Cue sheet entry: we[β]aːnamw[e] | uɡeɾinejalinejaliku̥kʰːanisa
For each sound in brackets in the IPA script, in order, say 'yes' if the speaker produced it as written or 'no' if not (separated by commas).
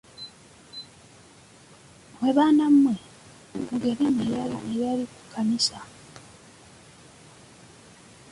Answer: yes, yes